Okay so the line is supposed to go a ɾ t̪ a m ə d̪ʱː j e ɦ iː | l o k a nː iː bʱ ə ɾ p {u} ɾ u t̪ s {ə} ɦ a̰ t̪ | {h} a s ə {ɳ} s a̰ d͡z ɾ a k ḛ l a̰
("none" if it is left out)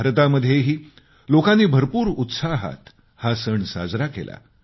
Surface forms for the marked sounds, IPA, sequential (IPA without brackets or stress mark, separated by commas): uː, a, h, ɳ